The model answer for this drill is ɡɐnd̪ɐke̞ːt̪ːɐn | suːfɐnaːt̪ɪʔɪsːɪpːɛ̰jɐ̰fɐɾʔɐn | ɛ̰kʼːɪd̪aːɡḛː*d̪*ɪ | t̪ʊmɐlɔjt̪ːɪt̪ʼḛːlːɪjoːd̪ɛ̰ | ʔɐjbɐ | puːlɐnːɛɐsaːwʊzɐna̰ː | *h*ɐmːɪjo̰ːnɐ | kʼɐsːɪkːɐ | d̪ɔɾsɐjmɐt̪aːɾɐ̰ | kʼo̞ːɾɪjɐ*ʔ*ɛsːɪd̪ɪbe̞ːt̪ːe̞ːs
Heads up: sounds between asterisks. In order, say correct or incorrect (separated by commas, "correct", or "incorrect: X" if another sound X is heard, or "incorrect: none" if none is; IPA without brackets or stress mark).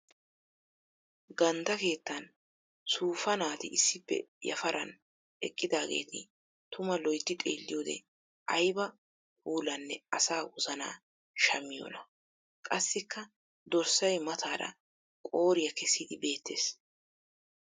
incorrect: t̪, incorrect: ʃ, incorrect: k